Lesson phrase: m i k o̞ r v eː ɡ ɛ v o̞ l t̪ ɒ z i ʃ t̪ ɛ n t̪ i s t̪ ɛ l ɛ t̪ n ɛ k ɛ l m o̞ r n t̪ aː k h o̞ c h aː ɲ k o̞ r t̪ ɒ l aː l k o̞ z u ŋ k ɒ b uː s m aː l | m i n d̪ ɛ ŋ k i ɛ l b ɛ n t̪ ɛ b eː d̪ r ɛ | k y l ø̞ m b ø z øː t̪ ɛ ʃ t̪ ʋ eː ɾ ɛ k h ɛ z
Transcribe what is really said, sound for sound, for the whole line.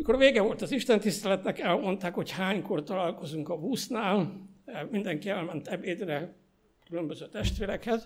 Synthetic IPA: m i k o̞ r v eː ɡ ɛ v o̞ l t̪ ɒ z i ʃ t̪ ɛ n t̪ i s t̪ ɛ l ɛ t̪ n ɛ k ɛ l m o̞ n t̪ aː k h o̞ c h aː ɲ k o̞ r t̪ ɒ l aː l k o̞ z u ŋ k ɒ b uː s n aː l | m i n d̪ ɛ ŋ k i ɛ l m ɛ n t̪ ɛ b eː d̪ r ɛ | k y l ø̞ m b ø z øː t̪ ɛ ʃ t̪ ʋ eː ɾ ɛ k h ɛ z